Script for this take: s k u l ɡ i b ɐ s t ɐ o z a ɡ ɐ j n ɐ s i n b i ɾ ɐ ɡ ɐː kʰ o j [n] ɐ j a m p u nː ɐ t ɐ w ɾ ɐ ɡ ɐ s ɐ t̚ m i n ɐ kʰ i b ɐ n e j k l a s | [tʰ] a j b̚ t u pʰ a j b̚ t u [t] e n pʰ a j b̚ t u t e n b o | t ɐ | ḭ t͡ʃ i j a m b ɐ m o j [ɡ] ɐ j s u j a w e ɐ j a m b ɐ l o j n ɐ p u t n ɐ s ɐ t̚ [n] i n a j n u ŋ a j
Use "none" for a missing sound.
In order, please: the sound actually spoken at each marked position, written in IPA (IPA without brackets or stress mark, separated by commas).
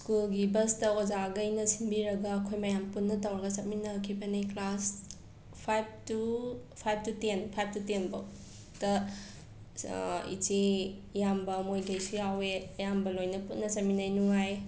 m, pʰ, t, ɡ, m